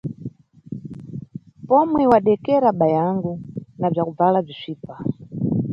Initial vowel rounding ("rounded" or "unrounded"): rounded